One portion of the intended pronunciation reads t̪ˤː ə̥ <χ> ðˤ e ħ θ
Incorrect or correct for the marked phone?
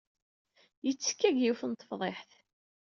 incorrect: f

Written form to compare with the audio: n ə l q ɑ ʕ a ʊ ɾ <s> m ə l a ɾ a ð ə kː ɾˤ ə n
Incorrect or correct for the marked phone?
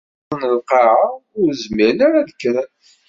incorrect: z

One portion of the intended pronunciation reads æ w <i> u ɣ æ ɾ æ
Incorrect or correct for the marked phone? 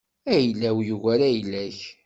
incorrect: j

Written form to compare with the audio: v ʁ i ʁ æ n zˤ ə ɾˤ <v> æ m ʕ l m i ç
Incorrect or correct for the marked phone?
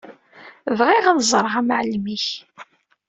incorrect: ʁ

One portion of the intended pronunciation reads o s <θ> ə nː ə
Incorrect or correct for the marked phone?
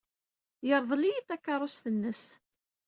correct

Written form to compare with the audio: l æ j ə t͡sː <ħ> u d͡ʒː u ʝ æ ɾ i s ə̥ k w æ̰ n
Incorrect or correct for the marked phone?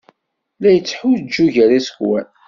correct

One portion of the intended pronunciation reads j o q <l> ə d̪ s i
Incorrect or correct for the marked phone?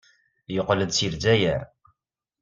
correct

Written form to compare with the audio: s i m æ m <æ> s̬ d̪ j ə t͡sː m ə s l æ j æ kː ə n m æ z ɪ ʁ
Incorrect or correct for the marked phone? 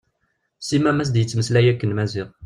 correct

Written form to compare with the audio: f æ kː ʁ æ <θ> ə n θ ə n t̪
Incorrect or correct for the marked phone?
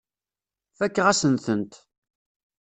incorrect: s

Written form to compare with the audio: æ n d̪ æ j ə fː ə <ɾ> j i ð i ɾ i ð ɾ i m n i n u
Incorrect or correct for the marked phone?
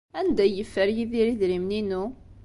correct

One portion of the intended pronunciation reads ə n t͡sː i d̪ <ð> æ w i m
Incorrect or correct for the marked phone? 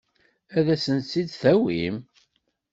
incorrect: θ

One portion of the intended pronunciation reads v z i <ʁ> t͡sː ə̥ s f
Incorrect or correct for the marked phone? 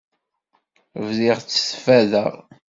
correct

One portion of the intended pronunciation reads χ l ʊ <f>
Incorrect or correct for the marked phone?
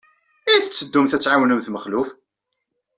correct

